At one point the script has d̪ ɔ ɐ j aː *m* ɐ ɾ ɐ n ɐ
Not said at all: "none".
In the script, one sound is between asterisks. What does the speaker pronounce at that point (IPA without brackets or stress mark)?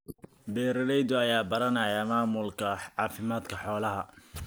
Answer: b